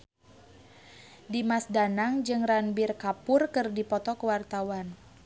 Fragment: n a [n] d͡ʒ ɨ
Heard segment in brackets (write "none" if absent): ŋ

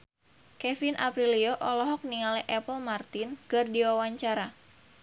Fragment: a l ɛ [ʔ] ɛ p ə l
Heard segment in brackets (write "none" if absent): ʔ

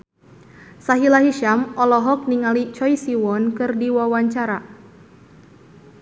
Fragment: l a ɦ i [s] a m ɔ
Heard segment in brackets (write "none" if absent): ʃ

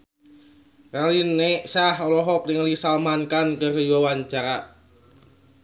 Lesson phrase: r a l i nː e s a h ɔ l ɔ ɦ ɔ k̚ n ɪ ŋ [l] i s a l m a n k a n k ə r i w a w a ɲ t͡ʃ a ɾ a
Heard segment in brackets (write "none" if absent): l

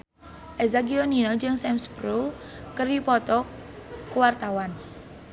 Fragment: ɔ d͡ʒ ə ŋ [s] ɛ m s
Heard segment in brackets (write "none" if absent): s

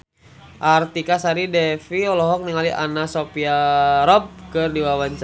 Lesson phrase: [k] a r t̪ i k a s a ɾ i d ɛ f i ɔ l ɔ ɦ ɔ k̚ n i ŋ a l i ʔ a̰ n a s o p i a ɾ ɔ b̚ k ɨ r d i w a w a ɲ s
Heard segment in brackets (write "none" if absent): ʔ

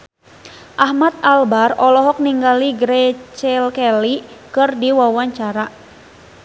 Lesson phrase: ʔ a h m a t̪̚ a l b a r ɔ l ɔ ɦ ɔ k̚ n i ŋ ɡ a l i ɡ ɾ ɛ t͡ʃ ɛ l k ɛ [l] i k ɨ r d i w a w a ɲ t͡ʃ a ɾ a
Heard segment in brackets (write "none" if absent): l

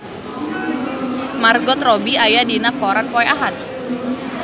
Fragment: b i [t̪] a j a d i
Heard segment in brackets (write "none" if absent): none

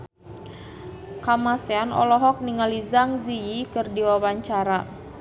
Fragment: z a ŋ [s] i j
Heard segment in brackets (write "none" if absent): z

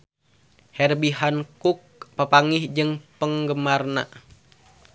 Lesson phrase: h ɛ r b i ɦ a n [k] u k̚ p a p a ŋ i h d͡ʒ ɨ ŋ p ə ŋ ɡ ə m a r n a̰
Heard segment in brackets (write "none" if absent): k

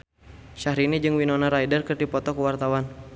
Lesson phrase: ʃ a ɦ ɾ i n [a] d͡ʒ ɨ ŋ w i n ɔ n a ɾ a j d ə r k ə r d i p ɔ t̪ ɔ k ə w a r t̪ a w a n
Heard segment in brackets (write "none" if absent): i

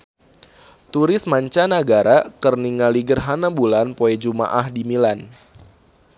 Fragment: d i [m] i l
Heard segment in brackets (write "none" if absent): m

